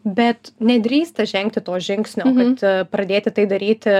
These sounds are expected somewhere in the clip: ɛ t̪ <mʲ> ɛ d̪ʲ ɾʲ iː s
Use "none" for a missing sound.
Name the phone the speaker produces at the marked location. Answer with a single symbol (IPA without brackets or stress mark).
nʲ